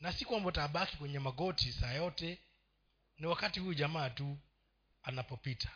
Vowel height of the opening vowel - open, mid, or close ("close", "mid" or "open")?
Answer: open